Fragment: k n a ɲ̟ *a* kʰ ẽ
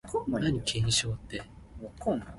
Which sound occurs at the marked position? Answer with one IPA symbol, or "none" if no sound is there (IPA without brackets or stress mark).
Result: i